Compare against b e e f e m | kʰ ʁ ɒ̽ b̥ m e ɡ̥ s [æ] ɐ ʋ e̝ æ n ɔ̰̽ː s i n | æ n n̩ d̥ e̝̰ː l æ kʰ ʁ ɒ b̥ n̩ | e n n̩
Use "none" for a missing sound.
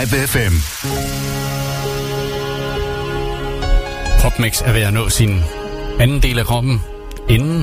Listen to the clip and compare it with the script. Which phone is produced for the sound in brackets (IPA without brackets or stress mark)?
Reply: æ